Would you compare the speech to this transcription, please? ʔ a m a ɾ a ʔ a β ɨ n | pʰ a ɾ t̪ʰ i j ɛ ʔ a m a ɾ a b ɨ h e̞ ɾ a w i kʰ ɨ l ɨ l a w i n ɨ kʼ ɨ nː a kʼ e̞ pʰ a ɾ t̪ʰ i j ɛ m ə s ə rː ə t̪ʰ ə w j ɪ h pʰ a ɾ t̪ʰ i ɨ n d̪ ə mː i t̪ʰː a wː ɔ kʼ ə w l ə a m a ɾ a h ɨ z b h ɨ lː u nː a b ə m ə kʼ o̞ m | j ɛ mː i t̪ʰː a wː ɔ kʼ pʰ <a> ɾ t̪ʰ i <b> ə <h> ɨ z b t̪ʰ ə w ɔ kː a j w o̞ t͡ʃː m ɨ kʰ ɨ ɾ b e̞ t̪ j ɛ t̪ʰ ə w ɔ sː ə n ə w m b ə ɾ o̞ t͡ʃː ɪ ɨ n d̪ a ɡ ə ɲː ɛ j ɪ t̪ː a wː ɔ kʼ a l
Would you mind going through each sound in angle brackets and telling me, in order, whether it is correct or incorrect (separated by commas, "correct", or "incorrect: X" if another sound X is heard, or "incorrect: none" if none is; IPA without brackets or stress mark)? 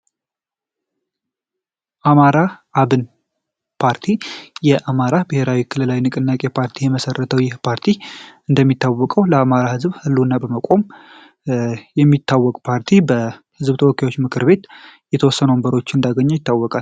correct, correct, correct